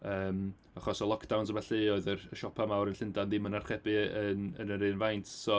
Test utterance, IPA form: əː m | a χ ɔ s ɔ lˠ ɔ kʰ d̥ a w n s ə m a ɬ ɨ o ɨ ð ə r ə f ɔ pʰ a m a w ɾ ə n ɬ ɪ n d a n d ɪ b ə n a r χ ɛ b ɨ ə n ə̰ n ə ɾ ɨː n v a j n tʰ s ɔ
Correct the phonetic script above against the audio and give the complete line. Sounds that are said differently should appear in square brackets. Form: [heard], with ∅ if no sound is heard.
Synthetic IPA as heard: əː m | a χ ɔ s ɔ lˠ ɔ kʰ d̥ a w n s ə m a ɬ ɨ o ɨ ð ə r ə [ʃ] ɔ pʰ a m a w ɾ ə n ɬ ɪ n d a n d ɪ [m] ə n a r χ ɛ b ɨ ə n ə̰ n ə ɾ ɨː n v a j n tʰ s ɔ

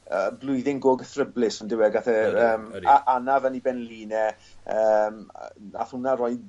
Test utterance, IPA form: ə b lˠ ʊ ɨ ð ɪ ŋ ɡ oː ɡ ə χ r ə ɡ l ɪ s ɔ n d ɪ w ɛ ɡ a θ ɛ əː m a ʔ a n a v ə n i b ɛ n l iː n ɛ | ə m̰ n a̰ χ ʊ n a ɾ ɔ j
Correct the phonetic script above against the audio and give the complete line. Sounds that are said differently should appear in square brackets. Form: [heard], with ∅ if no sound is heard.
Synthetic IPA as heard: ə b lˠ ʊ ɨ ð ɪ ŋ ɡ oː ɡ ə [θ] r ə [b] l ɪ s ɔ n d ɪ w ɛ ɡ a θ ɛ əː m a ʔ a n a v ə n i b ɛ n l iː n ɛ | ə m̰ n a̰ [θ] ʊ n a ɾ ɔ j

